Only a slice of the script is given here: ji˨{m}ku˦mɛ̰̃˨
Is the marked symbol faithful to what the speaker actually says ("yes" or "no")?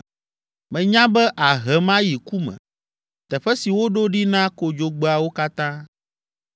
no